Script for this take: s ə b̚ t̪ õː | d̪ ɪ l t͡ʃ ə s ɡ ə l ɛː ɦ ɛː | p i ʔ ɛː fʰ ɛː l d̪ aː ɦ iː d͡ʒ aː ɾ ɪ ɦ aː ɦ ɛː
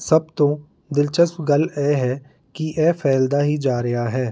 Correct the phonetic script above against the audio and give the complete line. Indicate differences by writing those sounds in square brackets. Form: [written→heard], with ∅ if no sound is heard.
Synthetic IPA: s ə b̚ t̪ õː | d̪ ɪ l t͡ʃ ə s ɡ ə l ɛː ɦ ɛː | [p→k] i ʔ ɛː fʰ ɛː l d̪ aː ɦ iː d͡ʒ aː ɾ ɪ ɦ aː ɦ ɛː